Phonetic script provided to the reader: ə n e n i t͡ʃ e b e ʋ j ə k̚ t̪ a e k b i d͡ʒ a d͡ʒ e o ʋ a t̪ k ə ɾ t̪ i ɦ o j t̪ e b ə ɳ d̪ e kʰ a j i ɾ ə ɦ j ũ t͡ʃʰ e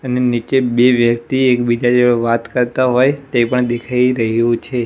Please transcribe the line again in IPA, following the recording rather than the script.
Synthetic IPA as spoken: ə n e n i t͡ʃ e b e ʋ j ə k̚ t̪ i e k b i d͡ʒ a d͡ʒ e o ʋ a t̪ k ə ɾ t̪ a ɦ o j t̪ e p ə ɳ d̪ e kʰ a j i ɾ ə ɦ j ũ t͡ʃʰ e